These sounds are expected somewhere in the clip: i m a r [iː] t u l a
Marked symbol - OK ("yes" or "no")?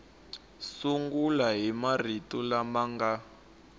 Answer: no